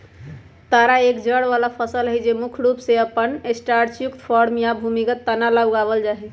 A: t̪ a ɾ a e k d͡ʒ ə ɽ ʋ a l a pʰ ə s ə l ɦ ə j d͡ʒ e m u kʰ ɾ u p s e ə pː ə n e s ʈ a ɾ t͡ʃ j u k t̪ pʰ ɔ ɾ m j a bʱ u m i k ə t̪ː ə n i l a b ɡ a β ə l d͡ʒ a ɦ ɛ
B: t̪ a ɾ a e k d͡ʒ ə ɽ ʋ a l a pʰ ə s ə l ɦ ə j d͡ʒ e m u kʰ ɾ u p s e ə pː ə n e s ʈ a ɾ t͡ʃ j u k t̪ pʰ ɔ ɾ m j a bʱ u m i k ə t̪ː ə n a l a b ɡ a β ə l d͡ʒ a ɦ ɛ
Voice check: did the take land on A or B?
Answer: B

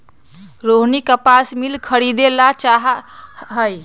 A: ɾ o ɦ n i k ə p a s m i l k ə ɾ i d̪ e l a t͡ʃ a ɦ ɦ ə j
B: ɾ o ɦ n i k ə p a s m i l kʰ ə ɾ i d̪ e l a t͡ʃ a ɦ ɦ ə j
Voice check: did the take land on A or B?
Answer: B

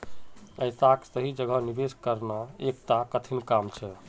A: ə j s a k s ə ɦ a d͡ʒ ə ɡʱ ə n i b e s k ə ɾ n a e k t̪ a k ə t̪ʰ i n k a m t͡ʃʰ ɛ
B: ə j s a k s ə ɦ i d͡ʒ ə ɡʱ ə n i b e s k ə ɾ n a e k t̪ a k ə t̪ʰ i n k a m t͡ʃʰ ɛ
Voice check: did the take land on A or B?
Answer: B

